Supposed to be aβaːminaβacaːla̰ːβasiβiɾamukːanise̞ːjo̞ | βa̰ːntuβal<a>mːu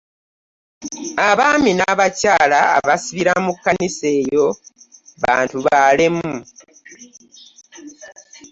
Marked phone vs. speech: incorrect: e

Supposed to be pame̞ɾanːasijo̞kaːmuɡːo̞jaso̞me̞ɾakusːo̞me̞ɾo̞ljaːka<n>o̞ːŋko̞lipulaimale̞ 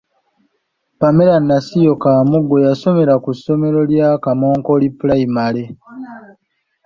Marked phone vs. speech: incorrect: m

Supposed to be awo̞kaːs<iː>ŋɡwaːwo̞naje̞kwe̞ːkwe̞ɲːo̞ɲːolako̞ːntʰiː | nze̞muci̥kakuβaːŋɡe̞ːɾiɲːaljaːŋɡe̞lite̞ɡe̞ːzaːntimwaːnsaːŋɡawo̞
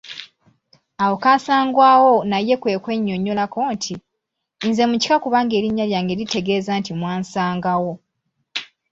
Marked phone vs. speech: incorrect: aː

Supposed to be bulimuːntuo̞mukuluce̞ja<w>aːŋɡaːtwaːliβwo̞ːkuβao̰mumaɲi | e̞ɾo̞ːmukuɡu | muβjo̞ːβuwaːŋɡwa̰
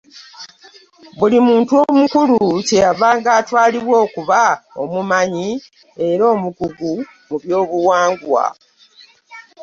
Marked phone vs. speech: incorrect: β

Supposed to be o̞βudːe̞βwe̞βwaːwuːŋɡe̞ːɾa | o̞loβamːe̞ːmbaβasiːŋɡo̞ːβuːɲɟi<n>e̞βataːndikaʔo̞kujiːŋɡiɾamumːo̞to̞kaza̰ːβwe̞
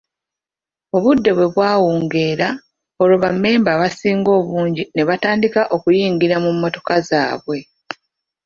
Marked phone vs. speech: correct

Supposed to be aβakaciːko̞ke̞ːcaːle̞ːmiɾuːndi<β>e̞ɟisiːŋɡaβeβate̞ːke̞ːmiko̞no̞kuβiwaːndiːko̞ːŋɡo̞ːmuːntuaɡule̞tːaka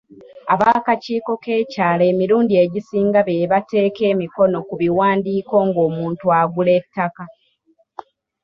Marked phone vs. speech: incorrect: none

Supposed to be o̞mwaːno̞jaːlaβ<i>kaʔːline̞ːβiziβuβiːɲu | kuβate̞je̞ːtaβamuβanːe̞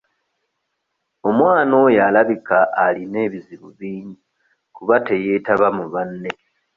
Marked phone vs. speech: correct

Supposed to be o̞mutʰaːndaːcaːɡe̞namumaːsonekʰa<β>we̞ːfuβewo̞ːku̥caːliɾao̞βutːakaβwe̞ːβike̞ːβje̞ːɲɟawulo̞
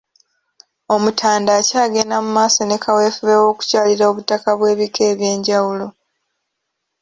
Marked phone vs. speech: incorrect: none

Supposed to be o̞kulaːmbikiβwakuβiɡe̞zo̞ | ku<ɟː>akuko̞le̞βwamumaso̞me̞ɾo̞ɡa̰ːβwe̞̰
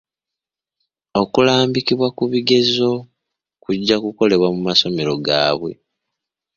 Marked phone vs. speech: correct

